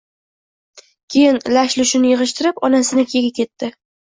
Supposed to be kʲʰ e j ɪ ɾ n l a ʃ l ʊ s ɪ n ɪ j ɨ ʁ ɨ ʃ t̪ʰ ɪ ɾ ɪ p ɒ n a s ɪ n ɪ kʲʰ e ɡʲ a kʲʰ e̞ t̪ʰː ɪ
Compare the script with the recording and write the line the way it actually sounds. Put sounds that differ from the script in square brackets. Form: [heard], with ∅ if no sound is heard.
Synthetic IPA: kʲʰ e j ɪ [∅] n l a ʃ l ʊ [ʃ] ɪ n ɪ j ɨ ʁ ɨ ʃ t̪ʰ ɪ ɾ ɪ p ɒ n a s ɪ n ɪ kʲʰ e ɡʲ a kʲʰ e̞ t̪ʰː ɪ